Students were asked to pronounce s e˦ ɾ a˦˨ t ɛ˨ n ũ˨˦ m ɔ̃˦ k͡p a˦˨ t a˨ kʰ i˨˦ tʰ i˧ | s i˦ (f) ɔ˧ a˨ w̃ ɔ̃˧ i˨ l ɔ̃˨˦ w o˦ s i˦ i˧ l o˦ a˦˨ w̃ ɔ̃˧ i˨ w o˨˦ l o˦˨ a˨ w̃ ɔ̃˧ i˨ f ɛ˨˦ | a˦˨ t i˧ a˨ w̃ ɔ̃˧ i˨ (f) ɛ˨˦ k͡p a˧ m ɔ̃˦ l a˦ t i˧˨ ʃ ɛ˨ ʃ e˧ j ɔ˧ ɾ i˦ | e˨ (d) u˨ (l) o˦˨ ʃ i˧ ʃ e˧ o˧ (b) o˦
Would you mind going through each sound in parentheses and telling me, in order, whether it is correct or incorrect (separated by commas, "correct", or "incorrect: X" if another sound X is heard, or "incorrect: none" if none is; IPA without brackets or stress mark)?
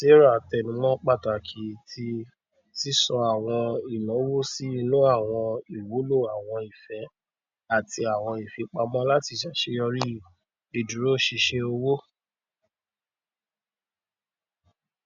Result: incorrect: s, correct, correct, incorrect: ɾ, incorrect: w